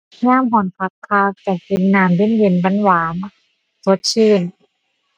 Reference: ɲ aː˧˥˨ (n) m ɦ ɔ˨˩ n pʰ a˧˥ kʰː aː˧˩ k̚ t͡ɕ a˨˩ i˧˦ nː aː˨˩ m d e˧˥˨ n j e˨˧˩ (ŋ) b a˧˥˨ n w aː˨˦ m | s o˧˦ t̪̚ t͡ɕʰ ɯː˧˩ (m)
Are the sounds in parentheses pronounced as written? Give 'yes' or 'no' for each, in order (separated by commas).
no, no, no